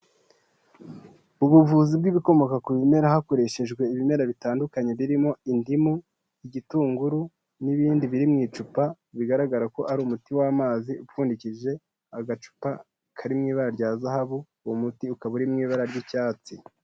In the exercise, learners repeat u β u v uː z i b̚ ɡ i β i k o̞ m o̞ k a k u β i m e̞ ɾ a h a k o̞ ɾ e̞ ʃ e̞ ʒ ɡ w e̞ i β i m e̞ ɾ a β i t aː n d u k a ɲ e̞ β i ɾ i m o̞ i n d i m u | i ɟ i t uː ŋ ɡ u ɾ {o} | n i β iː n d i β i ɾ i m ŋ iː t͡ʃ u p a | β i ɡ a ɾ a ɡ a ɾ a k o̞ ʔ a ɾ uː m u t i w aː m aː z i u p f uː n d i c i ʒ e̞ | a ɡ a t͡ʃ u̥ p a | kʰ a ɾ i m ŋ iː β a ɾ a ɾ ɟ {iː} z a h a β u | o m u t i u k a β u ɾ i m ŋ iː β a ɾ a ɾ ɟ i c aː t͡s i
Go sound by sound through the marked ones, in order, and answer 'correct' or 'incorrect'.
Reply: incorrect: u, incorrect: aː

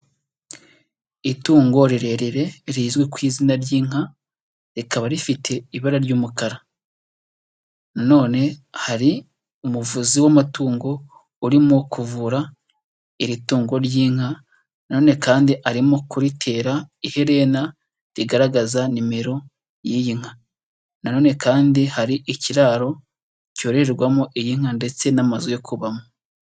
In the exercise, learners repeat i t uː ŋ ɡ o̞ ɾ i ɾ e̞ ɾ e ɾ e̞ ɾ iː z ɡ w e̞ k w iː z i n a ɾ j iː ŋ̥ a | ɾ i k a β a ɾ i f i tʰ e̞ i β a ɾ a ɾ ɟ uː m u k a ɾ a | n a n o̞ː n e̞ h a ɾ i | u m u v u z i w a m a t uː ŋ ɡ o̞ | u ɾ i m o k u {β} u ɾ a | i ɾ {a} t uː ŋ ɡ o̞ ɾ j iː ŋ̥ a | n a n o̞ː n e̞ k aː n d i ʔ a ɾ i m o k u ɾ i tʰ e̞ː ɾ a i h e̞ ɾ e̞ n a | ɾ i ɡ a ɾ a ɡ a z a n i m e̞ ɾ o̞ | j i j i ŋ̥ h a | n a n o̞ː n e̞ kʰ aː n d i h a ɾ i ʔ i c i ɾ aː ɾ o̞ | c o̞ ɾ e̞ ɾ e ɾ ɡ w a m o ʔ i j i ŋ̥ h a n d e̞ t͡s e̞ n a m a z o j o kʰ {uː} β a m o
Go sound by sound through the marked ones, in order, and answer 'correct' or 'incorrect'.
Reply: incorrect: v, incorrect: i, incorrect: u

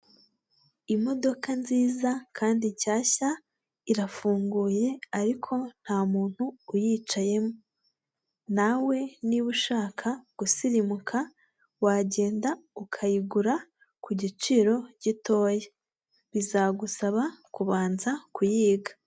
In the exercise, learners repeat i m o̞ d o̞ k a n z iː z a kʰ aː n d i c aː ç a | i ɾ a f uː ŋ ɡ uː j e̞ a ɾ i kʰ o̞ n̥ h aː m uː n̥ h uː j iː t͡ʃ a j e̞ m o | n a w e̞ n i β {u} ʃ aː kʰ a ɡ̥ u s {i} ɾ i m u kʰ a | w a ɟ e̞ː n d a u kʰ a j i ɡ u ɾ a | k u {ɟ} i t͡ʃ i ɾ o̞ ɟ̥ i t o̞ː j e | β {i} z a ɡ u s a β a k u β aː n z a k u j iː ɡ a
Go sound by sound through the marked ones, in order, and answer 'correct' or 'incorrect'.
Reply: correct, correct, correct, correct

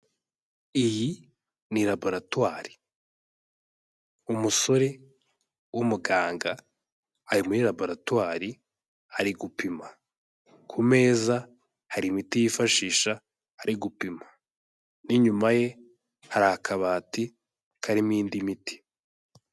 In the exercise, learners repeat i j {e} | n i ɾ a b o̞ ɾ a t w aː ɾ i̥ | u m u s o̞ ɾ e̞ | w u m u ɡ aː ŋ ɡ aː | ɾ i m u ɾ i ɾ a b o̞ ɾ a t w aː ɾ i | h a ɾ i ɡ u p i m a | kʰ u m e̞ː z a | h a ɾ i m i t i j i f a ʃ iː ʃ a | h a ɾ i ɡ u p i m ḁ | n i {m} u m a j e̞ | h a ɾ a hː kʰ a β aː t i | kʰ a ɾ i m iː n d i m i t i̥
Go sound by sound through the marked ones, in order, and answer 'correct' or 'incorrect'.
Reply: incorrect: i, incorrect: ɲ

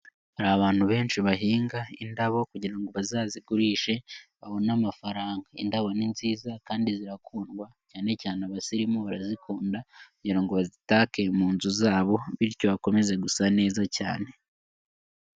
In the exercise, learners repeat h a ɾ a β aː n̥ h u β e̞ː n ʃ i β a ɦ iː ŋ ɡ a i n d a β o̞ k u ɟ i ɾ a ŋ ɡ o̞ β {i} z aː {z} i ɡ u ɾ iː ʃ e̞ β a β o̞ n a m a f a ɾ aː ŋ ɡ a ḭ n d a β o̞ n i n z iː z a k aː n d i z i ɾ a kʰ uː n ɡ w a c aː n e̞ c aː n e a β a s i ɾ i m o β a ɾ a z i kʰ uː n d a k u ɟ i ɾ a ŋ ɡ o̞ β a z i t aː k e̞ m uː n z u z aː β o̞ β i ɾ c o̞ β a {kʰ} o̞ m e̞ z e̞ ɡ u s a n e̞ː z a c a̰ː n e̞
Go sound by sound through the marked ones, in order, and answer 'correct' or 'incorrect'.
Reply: incorrect: a, correct, incorrect: k

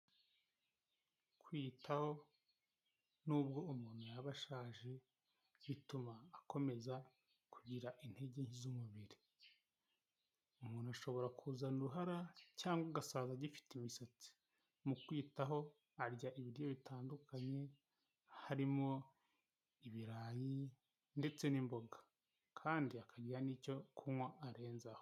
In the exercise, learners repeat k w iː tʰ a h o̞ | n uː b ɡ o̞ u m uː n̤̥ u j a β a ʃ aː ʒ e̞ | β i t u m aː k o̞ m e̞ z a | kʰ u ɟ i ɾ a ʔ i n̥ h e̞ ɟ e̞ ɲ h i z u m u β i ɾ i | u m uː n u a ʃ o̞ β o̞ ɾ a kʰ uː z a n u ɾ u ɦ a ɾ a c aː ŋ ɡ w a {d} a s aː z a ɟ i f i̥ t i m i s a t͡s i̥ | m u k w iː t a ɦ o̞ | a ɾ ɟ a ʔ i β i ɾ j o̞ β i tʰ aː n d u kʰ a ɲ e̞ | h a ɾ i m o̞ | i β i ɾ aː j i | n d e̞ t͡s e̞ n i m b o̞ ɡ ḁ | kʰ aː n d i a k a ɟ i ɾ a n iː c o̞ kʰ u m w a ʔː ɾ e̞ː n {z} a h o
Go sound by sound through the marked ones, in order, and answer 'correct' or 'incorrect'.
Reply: incorrect: ɡ, correct

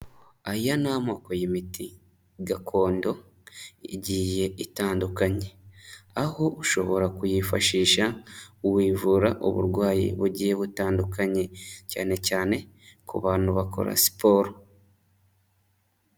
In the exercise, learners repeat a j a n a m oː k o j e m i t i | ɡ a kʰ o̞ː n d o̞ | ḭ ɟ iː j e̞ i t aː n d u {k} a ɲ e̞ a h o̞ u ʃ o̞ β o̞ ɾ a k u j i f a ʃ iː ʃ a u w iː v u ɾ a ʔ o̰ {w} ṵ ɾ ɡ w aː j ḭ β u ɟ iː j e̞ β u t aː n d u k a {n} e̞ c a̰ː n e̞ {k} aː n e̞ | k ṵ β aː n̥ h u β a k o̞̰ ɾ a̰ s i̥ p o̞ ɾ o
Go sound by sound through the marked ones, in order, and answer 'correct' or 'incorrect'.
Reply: correct, incorrect: β, incorrect: ɲ, incorrect: c

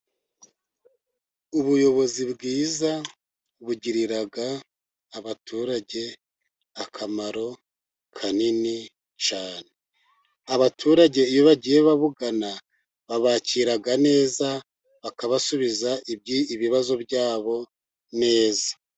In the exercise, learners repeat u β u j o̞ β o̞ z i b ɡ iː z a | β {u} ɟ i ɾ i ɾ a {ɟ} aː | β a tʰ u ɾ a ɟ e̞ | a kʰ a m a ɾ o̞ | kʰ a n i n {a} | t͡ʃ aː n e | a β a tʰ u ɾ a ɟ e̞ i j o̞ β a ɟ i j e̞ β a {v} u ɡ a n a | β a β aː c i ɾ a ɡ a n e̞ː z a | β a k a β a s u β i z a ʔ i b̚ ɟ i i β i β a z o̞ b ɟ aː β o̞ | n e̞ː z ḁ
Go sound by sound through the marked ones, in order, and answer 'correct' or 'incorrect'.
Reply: correct, incorrect: ɡ, incorrect: i, incorrect: β

